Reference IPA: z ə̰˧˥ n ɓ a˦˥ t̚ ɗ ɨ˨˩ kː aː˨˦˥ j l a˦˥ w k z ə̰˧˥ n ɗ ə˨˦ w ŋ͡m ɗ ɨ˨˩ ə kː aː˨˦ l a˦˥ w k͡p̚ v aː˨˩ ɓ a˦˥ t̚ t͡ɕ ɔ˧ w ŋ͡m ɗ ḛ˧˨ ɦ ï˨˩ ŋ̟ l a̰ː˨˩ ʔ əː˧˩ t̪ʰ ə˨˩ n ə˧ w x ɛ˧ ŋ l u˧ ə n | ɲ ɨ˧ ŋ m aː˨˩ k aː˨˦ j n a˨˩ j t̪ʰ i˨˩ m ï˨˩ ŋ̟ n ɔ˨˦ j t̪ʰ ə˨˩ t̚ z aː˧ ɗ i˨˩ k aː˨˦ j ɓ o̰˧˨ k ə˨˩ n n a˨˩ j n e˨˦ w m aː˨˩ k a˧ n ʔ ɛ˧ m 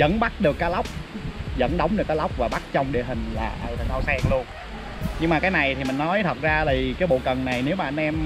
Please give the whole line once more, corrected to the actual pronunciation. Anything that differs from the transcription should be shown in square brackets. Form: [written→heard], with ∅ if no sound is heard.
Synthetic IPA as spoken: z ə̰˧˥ n ɓ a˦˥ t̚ ɗ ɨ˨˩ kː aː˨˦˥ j l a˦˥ w [k→k͡p̚] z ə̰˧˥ n ɗ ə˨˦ w ŋ͡m ɗ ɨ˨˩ ə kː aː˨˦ l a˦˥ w k͡p̚ v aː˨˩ ɓ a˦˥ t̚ t͡ɕ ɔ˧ w ŋ͡m ɗ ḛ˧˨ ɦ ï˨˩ ŋ̟ l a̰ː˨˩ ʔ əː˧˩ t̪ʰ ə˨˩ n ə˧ w [x→s] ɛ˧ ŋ l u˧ ə n | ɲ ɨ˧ ŋ m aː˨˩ k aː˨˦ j n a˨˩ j t̪ʰ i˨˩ m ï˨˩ ŋ̟ n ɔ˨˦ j t̪ʰ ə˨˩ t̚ z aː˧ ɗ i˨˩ k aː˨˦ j ɓ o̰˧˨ k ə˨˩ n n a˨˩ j n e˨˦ w m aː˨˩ [k→ʔ] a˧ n ʔ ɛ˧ m